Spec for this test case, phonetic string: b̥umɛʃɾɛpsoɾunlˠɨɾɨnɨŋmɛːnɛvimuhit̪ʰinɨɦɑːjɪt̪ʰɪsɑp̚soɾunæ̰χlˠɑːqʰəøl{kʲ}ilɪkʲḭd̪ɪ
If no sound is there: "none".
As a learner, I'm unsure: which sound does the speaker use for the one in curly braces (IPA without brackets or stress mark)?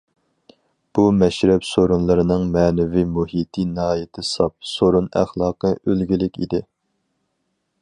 ɡʲ